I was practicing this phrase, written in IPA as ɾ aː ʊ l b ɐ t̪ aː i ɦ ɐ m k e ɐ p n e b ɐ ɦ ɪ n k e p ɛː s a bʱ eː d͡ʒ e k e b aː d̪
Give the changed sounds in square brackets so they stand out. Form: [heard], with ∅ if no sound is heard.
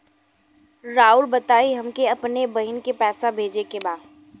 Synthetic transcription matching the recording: ɾ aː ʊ l b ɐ t̪ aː i ɦ ɐ m k e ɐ p n e b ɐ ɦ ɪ n k e p ɛː s a bʱ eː d͡ʒ e k e b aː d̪